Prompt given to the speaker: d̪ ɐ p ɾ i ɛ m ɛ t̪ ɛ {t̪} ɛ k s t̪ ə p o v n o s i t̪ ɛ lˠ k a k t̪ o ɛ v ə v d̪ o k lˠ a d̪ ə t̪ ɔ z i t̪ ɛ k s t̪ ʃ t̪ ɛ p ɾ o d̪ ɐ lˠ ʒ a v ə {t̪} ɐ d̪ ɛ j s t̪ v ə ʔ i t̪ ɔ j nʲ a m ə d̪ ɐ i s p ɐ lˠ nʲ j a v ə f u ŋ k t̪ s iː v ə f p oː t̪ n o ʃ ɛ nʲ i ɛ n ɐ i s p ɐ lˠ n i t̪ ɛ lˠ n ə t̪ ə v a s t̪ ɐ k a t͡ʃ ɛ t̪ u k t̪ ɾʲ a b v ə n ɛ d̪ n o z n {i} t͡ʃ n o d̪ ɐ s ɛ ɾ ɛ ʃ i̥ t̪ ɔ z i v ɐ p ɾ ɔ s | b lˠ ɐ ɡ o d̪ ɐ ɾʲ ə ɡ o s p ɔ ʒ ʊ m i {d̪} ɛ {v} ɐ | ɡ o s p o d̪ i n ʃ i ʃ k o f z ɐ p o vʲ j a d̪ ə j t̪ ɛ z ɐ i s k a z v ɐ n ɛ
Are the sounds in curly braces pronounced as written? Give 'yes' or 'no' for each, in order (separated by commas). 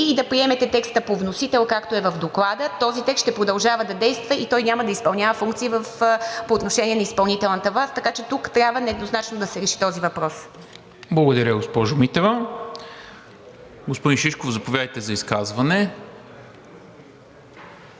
yes, no, no, no, yes